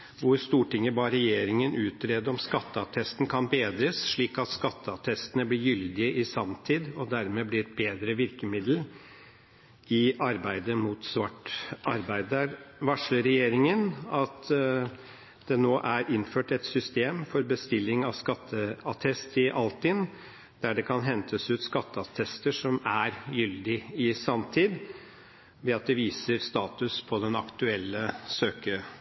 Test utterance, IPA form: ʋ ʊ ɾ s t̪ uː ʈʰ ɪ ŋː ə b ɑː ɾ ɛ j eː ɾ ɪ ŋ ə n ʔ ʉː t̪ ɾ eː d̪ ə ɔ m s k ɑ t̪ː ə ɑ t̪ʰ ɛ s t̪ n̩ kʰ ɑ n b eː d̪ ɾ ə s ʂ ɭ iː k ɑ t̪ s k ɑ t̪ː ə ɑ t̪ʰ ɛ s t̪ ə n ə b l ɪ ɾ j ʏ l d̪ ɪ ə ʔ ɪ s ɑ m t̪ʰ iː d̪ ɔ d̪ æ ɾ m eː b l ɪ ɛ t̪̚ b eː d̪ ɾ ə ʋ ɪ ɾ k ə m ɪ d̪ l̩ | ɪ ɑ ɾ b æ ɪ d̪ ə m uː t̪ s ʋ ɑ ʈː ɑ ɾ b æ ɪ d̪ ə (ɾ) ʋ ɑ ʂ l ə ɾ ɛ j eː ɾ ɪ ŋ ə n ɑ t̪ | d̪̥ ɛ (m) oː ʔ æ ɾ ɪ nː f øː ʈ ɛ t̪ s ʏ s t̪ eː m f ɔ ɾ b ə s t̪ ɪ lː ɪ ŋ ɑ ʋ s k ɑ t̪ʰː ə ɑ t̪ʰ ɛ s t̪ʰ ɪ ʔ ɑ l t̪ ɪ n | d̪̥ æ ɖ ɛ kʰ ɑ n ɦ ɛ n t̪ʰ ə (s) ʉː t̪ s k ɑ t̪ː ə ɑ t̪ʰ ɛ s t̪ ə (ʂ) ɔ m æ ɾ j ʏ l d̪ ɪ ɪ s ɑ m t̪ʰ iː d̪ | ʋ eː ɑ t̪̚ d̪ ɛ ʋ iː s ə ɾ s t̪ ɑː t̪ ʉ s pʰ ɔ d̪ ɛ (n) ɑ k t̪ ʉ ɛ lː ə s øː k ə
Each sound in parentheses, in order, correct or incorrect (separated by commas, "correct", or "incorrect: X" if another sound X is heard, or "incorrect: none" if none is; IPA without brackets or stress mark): correct, incorrect: n, correct, correct, correct